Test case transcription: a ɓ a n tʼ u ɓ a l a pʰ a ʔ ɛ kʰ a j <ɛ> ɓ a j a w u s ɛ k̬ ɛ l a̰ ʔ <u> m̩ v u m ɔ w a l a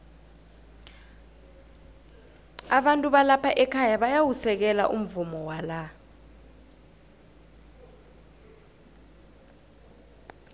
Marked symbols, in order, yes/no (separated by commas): no, yes